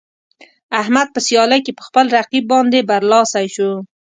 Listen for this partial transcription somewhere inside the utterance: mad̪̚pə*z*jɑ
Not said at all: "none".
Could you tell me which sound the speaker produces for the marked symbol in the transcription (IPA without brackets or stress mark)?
s